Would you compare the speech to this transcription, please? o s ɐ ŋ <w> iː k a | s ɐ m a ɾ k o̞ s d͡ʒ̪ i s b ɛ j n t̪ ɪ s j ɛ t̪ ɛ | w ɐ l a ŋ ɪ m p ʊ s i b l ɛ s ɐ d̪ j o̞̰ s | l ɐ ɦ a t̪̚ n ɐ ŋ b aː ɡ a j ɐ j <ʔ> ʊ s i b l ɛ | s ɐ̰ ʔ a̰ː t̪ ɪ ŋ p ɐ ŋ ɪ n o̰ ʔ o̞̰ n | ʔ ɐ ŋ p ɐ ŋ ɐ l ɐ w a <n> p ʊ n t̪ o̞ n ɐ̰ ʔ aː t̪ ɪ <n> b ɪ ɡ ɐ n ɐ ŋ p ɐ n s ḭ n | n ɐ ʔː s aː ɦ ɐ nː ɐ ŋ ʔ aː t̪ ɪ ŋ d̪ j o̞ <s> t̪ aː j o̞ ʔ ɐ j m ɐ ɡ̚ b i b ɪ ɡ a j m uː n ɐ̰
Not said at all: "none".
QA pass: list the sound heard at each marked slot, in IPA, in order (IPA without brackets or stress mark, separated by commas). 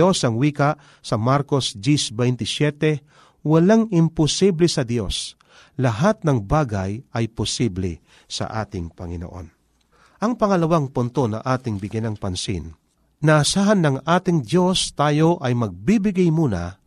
w, p, ŋ, ŋ, s